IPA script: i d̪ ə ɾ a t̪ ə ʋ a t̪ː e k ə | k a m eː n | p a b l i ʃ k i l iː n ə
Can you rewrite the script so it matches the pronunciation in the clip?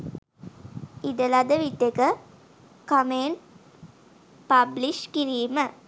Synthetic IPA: i d̪ ə l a d̪ ə ʋ i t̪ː e k ə | k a m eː n | p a b l i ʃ k i ɾ iː m ə